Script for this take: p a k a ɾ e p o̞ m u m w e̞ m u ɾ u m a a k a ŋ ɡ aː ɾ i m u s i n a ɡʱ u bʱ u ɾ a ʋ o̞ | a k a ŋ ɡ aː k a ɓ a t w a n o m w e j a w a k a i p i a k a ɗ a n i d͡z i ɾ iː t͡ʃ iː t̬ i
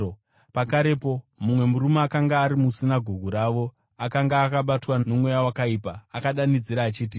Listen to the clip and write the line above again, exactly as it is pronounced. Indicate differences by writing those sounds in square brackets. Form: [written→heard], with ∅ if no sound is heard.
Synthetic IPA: p a k a ɾ e p o̞ m u m w e̞ m u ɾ u m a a k a ŋ ɡ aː ɾ i m u s i n a ɡʱ u [bʱ→ɡʱ] u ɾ a ʋ o̞ | a k a ŋ ɡ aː k a ɓ a t w a n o m w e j a w a k a i p [i→a] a k a ɗ a n i d͡z i ɾ [iː→aː] t͡ʃ iː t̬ i